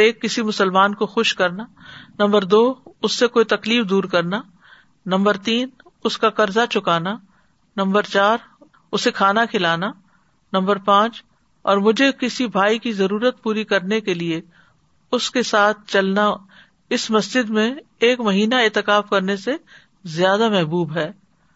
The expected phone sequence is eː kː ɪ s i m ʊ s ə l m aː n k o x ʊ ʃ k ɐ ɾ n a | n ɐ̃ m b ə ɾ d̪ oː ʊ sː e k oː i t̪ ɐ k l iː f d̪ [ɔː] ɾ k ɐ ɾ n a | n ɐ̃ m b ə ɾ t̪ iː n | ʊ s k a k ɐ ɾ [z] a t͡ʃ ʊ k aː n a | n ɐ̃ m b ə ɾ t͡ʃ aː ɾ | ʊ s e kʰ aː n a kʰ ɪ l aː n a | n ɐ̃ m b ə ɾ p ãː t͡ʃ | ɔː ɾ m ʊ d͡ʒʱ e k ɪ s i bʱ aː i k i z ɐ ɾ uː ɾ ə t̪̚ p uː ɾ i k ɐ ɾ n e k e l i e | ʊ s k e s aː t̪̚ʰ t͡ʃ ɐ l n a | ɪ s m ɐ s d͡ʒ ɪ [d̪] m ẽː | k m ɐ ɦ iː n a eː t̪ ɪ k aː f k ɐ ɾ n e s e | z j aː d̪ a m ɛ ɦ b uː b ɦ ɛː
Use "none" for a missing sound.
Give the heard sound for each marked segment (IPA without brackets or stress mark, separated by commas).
uː, z, d̪